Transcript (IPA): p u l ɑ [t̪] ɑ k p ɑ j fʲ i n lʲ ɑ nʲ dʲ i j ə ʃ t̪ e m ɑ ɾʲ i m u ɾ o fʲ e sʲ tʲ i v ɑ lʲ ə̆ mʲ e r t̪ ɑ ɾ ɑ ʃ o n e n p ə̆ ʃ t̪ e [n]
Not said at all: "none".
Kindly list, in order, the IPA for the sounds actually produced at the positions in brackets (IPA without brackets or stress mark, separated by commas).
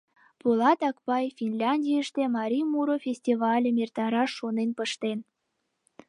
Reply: t̪, n